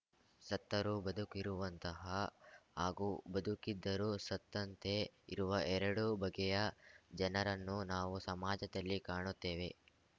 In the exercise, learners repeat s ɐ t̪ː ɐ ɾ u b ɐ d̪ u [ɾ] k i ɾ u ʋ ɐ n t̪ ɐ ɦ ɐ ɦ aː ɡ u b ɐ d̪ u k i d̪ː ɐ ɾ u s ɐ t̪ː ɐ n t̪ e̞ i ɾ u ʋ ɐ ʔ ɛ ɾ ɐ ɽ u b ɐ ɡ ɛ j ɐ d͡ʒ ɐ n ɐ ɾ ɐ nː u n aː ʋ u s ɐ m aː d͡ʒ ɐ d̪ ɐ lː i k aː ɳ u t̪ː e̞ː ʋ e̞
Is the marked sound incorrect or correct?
incorrect